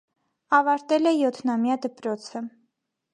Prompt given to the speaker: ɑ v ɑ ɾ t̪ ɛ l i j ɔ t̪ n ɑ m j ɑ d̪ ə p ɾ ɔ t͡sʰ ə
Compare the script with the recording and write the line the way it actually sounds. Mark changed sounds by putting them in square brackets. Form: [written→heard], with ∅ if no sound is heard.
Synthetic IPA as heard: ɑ v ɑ ɾ t̪ ɛ l [i→ɛ] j ɔ [t̪→t̪ʰ] n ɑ m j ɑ d̪ ə p ɾ ɔ t͡sʰ ə